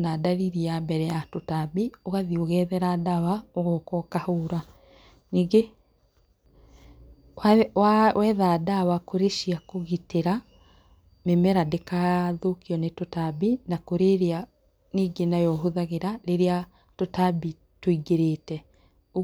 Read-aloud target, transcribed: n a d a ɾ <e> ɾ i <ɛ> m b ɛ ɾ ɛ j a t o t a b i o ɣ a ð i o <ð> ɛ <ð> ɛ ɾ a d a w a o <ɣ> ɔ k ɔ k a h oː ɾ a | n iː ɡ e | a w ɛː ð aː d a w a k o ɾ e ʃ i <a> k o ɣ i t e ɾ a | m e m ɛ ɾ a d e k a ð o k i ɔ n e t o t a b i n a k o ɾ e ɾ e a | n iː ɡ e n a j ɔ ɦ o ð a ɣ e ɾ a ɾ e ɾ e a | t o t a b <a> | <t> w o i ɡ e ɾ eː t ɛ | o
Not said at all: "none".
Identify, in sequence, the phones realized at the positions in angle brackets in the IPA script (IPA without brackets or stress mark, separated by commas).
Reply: i, a, ɣ, ð, ɣ, a, i, t